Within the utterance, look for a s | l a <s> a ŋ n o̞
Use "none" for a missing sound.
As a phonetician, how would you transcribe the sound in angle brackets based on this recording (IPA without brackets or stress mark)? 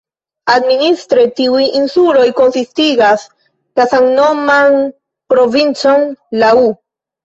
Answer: s